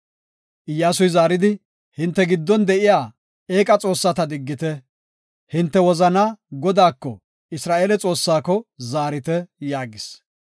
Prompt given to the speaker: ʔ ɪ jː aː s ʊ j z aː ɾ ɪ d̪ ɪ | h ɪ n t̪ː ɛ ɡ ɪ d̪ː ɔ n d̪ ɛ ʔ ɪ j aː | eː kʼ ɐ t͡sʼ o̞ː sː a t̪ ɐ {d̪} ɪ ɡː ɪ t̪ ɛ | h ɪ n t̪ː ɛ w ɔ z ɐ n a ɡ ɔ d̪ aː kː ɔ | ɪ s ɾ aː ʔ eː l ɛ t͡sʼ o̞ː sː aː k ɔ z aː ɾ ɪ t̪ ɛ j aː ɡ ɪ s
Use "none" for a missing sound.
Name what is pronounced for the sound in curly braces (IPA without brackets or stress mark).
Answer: d̪